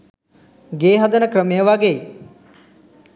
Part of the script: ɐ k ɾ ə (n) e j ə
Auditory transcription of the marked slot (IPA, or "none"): m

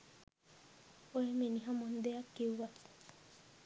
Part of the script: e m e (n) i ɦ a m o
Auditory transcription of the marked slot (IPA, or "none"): n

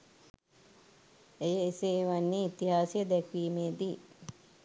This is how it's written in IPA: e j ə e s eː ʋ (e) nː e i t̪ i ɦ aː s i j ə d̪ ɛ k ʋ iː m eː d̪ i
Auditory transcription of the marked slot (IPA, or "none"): a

